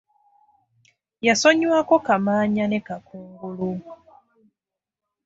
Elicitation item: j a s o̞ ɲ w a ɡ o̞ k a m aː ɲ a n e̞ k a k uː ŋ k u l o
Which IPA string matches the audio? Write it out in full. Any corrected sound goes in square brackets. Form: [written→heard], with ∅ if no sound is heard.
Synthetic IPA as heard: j a s o̞ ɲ w a [ɡ→k] o̞ k a m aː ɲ a n e̞ k a k uː ŋ [k→ɡ] u l [o→u]